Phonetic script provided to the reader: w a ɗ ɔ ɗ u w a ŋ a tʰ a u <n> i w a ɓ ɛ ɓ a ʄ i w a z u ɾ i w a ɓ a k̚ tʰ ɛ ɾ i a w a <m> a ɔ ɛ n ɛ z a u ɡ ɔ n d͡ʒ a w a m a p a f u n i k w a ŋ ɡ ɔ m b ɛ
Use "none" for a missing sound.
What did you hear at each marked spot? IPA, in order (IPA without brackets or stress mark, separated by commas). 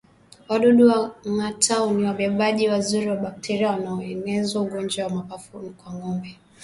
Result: n, n